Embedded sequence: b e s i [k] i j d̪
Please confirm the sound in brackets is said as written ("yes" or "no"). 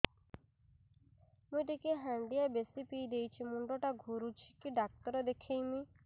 no